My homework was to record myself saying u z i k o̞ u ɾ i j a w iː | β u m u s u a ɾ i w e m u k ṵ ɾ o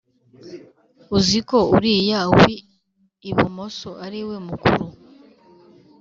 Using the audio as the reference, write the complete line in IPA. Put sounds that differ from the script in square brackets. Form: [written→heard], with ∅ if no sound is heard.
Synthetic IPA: u z i k o̞ u ɾ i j a w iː | β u m [u→o] s [u→o] a ɾ i w e m u k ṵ ɾ [o→u]

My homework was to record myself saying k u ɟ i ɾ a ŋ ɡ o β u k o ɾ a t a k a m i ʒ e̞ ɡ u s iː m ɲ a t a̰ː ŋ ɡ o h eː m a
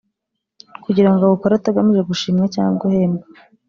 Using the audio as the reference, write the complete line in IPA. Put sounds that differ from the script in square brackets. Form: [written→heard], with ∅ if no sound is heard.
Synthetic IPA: k u ɟ i ɾ a ŋ ɡ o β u k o ɾ a t a [k→ɡ] a m i ʒ e̞ ɡ u [s→ʃ] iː m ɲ a [t→c] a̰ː ŋ ɡ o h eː m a

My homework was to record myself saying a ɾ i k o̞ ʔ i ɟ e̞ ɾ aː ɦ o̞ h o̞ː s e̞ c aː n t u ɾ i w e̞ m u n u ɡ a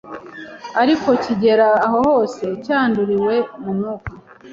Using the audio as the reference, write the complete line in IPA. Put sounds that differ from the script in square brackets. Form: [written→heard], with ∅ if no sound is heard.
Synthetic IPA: a ɾ i k o̞ [ʔ→c] i ɟ e̞ ɾ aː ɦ o̞ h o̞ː s e̞ c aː n [t→d] u ɾ i w e̞ m u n u [ɡ→k] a

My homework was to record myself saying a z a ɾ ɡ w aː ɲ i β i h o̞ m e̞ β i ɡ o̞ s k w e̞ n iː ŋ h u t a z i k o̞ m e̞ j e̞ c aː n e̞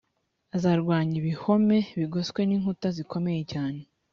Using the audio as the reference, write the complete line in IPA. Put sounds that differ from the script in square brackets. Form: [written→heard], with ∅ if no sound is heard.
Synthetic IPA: a z a ɾ ɡ w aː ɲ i β i h o̞ m e̞ β i ɡ o̞ s k w e̞ n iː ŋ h u t a z i k o̞ m e̞ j e̞ c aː n e̞

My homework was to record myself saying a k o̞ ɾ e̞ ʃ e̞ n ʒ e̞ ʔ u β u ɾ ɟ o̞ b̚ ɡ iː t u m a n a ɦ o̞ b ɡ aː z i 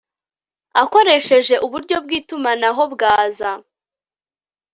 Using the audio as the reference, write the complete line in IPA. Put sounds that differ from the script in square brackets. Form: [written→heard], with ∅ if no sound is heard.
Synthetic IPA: a k o̞ ɾ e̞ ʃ e̞ [n→∅] ʒ e̞ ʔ u β u ɾ ɟ o̞ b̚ ɡ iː t u m a n a ɦ o̞ b ɡ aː z [i→a]

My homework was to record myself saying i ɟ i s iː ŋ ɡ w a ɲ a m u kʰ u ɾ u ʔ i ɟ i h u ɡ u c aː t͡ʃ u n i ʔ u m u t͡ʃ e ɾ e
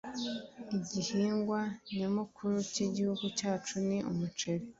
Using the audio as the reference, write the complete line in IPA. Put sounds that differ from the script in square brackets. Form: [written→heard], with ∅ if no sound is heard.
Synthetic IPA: i ɟ i [s→h] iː ŋ ɡ w a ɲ a m u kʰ u ɾ u [ʔ→c] i ɟ i h u ɡ u c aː t͡ʃ u n i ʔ u m u t͡ʃ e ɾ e

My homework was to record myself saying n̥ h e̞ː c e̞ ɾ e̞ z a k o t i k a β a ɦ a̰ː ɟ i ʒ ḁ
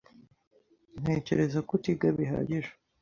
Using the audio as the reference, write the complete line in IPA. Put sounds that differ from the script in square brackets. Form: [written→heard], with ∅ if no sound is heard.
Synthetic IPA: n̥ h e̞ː c e̞ ɾ e̞ z a k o t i [k→ɡ] a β [a→i] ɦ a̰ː ɟ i ʒ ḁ

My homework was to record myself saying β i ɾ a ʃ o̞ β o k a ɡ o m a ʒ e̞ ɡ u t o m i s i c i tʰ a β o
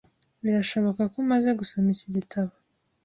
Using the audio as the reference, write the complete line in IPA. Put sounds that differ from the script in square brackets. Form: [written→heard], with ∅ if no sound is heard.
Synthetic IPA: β i ɾ a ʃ o̞ β o k a [ɡ→k] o m a [ʒ→z] e̞ ɡ u [t→s] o m i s i [c→ɟ] i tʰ a β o

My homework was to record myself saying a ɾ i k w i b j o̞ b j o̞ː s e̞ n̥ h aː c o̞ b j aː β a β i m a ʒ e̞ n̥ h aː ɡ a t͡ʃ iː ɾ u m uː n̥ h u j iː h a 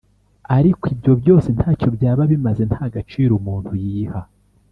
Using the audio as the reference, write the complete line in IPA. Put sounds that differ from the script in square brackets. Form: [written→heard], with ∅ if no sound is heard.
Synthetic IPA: a ɾ i k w i b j o̞ b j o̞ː s e̞ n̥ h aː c o̞ b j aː β a β i m a [ʒ→z] e̞ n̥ h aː ɡ a t͡ʃ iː ɾ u m uː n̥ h u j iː h a

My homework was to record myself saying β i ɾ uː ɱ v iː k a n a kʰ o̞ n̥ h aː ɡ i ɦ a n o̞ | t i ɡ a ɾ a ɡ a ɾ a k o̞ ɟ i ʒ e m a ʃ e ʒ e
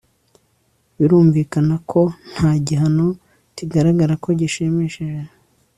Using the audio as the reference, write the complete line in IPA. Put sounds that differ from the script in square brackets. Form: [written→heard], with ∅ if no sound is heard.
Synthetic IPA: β i ɾ uː ɱ v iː k a n a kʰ o̞ n̥ h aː [ɡ→ɟ] i ɦ a n o̞ | t i ɡ a ɾ a ɡ a ɾ a k o̞ ɟ i [ʒ→ʃ] e m [a→e] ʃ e ʒ e

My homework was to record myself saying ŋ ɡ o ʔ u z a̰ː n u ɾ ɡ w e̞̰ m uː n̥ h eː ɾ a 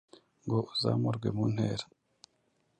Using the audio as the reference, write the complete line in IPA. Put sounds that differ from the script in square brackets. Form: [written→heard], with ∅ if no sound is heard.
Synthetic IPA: ŋ ɡ o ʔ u z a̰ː [n→m] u ɾ ɡ w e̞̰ m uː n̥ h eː ɾ a

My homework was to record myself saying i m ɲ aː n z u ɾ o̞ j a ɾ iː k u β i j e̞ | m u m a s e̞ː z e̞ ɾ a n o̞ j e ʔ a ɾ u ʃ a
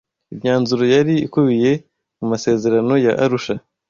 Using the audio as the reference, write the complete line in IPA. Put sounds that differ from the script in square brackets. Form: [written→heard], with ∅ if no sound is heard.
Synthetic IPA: i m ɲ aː n z u ɾ o̞ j a ɾ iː k u β i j e̞ | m u m a s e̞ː z e̞ ɾ a n o̞ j [e→a] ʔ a ɾ u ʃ a

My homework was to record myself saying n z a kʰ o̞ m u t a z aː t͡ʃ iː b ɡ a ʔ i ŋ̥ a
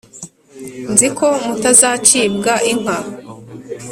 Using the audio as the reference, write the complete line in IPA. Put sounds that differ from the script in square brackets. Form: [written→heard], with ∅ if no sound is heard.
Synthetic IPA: n z [a→i] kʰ o̞ m u t a z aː t͡ʃ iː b ɡ a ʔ i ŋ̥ a

